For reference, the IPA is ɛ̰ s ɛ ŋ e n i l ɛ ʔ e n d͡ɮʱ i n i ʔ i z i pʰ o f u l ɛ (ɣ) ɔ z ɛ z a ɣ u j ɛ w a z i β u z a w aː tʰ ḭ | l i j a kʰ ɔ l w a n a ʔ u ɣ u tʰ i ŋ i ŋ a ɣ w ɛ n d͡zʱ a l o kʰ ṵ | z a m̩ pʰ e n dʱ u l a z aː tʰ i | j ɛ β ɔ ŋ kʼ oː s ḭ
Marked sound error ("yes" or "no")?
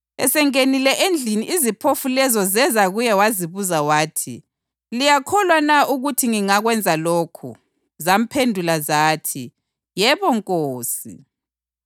yes